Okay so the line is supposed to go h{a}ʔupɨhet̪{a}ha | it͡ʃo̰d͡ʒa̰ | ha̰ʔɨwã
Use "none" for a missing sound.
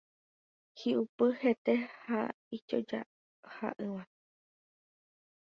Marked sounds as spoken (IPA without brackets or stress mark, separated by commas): i, e